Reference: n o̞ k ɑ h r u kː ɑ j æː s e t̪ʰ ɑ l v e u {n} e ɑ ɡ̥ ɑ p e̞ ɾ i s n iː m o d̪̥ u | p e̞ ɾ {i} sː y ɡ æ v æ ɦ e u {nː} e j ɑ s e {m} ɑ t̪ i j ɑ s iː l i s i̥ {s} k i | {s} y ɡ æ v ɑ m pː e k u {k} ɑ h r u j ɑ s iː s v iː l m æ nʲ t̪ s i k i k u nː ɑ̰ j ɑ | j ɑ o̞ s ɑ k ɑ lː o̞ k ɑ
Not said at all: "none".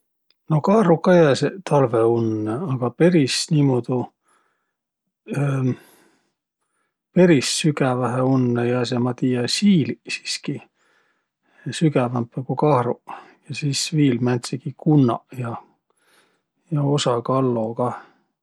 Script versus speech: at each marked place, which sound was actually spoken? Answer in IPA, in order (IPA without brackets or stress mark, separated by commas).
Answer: nː, i, nː, m, s, s, k